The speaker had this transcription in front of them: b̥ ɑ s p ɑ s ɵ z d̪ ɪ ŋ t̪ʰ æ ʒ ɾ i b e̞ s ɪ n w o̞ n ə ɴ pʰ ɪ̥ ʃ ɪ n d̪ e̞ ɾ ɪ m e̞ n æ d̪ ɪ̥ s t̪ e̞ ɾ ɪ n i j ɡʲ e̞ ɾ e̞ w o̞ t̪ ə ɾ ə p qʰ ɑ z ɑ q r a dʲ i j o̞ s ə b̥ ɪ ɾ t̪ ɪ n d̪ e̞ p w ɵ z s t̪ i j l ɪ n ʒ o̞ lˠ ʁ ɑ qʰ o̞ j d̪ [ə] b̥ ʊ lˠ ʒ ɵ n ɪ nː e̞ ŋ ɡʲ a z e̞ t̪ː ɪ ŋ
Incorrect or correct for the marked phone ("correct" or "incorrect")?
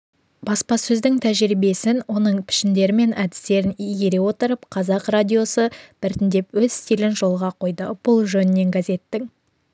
correct